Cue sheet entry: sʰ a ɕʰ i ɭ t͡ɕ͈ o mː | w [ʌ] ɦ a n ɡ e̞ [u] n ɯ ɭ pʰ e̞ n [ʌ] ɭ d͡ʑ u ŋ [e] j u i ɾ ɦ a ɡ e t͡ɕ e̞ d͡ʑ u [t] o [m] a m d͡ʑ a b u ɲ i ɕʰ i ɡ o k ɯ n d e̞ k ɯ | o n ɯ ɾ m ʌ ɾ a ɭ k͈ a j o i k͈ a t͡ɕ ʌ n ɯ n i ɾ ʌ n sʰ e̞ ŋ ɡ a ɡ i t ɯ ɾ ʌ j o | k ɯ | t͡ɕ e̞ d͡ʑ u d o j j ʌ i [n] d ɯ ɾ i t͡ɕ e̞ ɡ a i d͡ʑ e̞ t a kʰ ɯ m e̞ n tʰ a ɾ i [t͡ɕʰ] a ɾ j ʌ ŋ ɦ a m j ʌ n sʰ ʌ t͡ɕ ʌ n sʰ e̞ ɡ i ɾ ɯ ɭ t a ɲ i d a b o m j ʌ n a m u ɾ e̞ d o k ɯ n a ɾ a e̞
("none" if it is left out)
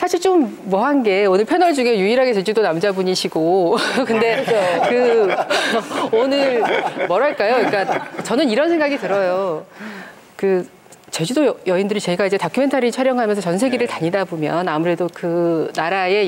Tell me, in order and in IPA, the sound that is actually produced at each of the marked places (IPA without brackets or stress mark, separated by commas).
ʌ, o, ʌ, e, d, n, n, t͡ɕʰ